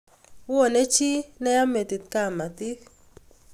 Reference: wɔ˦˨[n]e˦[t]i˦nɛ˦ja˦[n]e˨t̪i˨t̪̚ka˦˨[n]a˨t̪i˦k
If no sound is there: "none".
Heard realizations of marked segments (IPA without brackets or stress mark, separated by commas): n, t͡ʃ, m, m